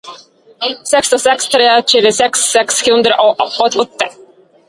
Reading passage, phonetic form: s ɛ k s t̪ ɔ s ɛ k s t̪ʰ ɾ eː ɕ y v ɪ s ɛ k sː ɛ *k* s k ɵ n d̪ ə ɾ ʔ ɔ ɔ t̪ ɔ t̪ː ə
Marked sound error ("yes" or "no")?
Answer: no